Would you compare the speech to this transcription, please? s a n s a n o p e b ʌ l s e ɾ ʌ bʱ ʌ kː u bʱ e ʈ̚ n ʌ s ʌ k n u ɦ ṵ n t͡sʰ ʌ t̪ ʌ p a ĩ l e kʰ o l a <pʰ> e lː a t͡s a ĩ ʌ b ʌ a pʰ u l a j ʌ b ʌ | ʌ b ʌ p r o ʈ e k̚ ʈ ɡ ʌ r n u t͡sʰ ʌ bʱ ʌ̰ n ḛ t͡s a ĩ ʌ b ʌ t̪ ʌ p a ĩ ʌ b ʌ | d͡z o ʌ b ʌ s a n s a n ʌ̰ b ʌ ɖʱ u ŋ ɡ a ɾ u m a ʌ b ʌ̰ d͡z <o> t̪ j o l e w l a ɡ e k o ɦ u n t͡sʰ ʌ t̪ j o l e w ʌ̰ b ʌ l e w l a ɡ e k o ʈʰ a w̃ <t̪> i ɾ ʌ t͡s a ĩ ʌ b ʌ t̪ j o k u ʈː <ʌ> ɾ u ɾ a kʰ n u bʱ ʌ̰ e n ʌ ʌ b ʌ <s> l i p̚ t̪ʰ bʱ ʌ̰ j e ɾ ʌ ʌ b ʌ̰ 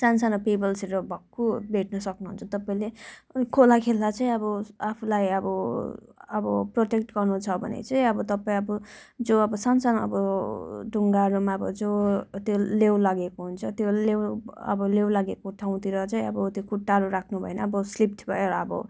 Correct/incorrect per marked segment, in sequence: incorrect: kʰ, correct, correct, incorrect: a, correct

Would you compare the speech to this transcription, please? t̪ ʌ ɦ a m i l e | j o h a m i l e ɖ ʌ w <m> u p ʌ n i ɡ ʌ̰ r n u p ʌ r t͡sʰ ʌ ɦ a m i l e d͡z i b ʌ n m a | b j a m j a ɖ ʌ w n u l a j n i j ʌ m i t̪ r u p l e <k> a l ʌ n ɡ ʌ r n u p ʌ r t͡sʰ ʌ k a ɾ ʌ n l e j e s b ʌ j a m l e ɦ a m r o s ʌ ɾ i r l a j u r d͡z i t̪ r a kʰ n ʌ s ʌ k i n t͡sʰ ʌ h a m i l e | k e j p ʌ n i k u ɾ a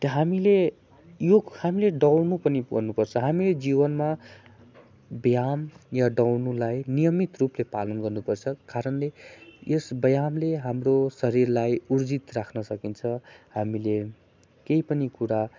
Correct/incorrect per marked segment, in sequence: incorrect: n, incorrect: p

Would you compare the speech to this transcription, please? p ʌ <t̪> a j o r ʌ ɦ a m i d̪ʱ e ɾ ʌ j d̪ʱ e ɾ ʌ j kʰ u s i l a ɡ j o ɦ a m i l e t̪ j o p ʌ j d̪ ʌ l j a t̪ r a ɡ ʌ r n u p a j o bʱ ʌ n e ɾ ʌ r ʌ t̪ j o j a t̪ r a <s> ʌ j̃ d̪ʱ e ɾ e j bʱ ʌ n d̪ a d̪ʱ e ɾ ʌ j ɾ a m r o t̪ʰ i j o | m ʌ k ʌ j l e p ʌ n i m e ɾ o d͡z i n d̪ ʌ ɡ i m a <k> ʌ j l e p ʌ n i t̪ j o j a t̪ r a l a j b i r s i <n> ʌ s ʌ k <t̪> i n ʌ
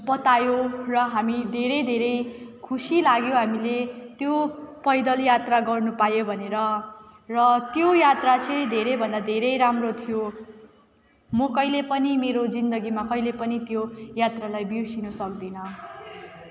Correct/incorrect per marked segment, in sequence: correct, incorrect: t͡s, correct, correct, incorrect: d̪

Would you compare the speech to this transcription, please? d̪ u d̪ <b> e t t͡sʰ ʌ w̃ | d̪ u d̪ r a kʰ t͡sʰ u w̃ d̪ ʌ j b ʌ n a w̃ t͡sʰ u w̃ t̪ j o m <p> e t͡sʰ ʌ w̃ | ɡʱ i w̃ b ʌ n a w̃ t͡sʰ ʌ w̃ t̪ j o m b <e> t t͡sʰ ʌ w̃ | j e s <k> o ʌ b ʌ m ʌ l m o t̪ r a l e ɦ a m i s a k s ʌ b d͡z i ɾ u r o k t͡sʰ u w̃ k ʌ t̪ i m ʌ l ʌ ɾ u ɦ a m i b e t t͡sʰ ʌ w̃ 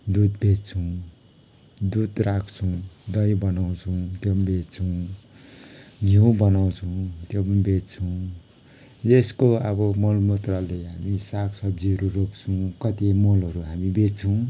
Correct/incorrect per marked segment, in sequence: correct, incorrect: b, correct, correct

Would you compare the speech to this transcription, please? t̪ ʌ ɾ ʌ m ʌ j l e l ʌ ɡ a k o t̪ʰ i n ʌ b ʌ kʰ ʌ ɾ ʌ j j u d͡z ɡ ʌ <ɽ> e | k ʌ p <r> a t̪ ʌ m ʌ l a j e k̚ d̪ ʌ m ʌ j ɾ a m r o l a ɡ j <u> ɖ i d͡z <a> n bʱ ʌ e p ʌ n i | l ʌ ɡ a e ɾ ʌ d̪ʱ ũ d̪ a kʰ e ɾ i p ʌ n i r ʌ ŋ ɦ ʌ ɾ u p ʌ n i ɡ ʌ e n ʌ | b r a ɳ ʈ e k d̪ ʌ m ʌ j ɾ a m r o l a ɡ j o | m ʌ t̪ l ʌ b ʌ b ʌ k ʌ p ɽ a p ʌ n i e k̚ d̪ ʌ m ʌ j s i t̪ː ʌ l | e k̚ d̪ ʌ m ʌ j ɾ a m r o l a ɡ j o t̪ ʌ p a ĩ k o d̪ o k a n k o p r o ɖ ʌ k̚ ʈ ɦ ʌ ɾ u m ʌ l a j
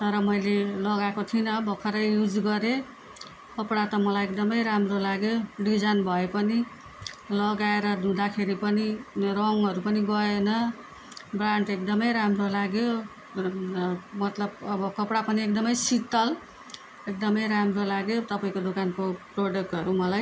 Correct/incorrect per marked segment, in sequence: incorrect: ɾ, incorrect: ɽ, incorrect: o, correct

